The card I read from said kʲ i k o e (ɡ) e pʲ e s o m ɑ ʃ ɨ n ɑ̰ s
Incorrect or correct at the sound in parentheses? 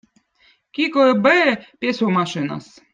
incorrect: b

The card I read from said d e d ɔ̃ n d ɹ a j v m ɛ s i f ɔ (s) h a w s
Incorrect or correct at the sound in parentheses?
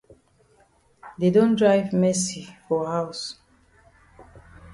incorrect: none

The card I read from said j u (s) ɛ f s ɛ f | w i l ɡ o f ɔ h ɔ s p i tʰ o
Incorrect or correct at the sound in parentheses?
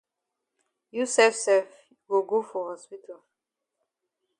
correct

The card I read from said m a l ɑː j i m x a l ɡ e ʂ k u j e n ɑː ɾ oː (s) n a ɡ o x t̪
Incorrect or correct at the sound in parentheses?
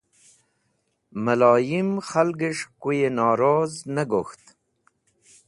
incorrect: z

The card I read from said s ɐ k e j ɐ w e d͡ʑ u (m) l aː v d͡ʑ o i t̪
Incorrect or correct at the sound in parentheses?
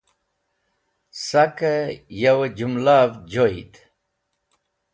correct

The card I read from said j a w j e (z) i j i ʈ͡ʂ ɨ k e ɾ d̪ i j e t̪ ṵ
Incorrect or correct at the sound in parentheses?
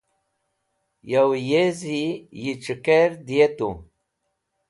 correct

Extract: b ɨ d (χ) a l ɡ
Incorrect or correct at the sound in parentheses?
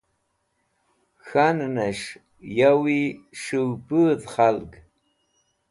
correct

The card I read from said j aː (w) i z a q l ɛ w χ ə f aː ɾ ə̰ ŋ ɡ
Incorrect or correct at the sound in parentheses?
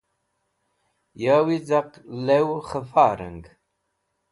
correct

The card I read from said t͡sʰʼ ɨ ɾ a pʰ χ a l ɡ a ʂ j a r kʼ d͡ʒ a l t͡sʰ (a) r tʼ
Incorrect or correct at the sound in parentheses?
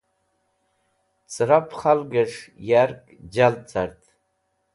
correct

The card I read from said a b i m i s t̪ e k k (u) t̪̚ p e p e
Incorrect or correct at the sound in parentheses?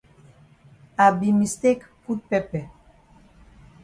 correct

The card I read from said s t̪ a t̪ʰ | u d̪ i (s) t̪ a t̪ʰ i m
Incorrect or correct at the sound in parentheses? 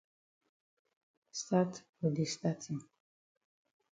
correct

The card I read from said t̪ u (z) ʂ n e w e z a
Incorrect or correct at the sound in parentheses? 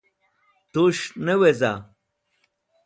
incorrect: none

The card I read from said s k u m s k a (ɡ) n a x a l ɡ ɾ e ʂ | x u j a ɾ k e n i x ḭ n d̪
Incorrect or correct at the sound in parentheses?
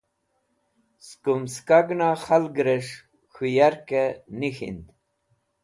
correct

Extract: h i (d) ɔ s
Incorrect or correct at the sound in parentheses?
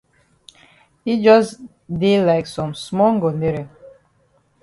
incorrect: d͡ʒ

